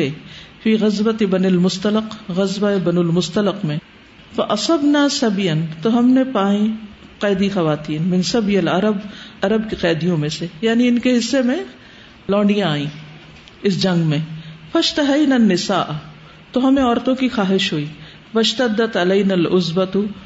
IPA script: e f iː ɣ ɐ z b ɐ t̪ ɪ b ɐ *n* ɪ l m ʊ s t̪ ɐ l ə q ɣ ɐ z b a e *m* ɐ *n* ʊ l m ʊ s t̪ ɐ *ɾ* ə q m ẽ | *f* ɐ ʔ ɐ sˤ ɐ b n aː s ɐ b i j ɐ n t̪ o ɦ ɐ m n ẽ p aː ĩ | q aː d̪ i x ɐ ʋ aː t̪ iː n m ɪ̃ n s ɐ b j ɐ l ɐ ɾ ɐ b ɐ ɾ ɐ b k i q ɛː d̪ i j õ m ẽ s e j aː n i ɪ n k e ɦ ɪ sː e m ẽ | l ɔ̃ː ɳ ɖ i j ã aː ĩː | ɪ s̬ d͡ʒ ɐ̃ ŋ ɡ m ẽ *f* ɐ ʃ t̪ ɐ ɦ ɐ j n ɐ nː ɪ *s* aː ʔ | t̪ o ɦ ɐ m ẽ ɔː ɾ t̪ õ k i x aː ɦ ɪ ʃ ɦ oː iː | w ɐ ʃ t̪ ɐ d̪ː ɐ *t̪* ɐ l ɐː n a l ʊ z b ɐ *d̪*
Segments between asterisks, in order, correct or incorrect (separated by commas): correct, incorrect, correct, incorrect, correct, correct, correct, correct, incorrect